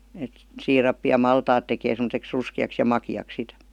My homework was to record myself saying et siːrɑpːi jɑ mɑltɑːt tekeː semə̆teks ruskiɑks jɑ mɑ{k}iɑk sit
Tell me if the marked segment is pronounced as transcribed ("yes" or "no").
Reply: yes